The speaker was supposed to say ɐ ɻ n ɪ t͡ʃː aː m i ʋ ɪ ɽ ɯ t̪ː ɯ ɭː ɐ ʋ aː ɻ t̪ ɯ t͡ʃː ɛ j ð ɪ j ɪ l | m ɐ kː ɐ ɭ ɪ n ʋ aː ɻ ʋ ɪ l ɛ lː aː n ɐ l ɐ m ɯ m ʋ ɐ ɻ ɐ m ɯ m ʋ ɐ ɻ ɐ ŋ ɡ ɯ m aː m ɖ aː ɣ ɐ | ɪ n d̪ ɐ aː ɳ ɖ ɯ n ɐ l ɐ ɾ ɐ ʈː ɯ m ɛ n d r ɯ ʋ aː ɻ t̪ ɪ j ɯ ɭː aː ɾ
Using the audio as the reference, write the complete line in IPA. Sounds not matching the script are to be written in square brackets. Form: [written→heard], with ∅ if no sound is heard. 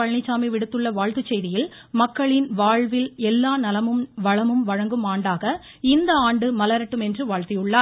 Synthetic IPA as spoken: ɐ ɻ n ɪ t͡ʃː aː m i ʋ ɪ ɽ ɯ t̪ː ɯ ɭː ɐ ʋ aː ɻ t̪ ɯ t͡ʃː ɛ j ð ɪ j ɪ l | m ɐ kː ɐ ɭ ɪ n ʋ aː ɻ ʋ ɪ l ɛ lː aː n ɐ l ɐ m ɯ m ʋ ɐ ɻ ɐ m ɯ m ʋ ɐ ɻ ɐ ŋ ɡ ɯ m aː [m→ɳ] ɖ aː ɣ ɐ | ɪ n d̪ ɐ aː ɳ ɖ ɯ [n→m] ɐ l ɐ ɾ ɐ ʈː ɯ m ɛ n d r ɯ ʋ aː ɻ t̪ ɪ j ɯ ɭː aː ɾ